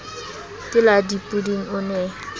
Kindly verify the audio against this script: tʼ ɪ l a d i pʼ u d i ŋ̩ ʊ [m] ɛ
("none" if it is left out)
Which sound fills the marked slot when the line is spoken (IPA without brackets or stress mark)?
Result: n